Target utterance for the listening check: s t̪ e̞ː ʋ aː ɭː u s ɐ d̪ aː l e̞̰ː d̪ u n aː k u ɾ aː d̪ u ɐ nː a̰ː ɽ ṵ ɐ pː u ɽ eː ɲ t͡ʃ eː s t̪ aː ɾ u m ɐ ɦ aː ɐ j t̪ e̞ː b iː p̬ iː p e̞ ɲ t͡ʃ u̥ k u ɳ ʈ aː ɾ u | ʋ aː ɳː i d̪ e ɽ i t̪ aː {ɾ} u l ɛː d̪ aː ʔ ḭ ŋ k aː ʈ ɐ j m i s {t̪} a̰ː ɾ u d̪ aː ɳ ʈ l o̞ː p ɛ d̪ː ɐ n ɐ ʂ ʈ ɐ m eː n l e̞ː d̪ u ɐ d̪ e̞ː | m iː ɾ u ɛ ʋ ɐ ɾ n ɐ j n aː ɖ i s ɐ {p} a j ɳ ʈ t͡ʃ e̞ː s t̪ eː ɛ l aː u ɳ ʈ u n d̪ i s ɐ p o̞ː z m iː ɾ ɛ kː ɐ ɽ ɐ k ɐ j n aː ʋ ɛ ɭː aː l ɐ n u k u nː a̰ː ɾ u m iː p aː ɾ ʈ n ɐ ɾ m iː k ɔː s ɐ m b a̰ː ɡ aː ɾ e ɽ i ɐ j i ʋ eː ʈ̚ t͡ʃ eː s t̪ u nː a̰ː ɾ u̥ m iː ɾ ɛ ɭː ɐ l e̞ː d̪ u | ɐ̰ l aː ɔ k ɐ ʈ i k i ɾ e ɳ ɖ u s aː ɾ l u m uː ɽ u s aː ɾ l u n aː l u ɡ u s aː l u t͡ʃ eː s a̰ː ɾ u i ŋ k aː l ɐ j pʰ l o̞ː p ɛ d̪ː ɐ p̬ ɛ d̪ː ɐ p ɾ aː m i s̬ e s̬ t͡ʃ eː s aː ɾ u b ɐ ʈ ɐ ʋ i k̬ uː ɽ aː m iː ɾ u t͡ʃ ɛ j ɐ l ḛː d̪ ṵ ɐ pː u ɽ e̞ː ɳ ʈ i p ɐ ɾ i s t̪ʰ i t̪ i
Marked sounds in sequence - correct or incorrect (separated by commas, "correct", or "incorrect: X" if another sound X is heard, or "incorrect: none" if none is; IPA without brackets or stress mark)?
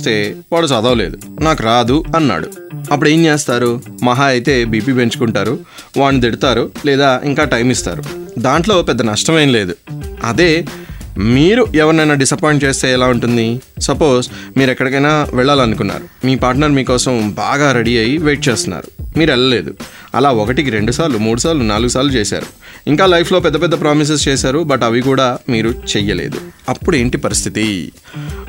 correct, correct, correct